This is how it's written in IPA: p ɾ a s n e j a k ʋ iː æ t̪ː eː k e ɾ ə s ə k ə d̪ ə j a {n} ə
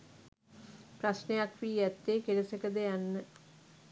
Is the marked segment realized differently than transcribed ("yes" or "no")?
yes